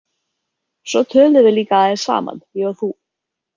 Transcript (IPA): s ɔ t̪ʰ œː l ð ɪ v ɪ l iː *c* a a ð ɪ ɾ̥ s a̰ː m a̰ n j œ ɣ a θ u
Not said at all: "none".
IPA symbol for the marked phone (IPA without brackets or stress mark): k